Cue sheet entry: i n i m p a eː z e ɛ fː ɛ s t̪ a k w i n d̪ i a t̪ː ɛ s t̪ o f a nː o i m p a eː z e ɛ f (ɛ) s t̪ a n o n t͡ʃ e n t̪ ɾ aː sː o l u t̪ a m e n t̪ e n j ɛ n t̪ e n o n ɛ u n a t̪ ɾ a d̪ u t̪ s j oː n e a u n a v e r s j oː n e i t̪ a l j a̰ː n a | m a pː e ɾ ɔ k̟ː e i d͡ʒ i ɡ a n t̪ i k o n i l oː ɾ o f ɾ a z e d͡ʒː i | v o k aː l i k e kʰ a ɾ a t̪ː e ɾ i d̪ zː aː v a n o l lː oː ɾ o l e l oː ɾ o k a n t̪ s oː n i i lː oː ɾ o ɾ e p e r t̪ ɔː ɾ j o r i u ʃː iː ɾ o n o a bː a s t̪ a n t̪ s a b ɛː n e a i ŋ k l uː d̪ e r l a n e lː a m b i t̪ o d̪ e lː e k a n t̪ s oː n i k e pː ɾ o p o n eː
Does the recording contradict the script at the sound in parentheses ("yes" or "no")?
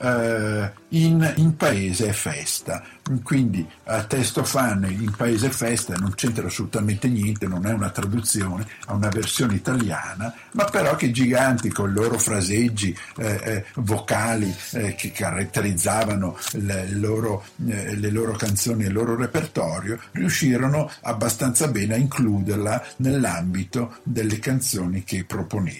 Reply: no